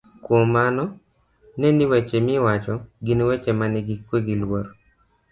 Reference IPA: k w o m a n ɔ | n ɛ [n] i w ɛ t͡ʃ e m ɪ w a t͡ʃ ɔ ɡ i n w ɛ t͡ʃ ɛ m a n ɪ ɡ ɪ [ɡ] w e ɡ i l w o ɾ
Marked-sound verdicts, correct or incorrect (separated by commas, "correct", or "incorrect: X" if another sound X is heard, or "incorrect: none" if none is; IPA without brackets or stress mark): correct, incorrect: k